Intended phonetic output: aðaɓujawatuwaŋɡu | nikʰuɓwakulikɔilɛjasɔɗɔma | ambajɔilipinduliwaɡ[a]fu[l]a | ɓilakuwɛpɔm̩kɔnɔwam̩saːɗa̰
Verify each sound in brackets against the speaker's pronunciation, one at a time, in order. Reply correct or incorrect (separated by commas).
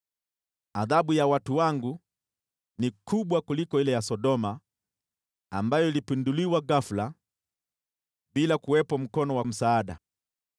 correct, correct